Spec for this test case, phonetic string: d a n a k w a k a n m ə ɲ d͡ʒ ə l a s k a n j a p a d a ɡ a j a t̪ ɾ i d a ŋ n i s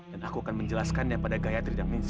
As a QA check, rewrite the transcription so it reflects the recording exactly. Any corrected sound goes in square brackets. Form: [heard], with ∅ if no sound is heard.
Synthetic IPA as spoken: d a n a k [u] a k a n m ə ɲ d͡ʒ ə l a s k a n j a p a d a ɡ a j a t̪ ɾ i d a ŋ n i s